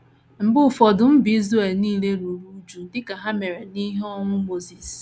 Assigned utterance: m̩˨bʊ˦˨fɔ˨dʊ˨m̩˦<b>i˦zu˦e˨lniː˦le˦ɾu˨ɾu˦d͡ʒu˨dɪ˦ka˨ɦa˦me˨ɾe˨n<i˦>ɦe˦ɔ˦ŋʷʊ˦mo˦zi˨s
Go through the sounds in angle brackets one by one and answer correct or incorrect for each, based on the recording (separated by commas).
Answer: correct, correct